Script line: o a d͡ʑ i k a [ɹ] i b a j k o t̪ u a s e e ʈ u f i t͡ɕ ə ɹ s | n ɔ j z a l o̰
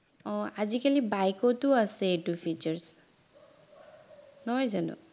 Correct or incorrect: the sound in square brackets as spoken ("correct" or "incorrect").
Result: incorrect